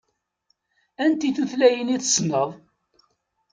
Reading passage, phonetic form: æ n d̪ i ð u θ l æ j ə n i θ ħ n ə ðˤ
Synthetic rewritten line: æ n t̪ i θ u θ l æ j ə n i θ s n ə ðˤ